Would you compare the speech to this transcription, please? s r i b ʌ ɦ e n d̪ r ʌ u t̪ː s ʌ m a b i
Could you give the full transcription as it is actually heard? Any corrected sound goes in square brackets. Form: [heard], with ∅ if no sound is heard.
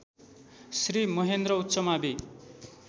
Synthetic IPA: s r i [m] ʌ ɦ e n d̪ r ʌ u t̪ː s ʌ m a b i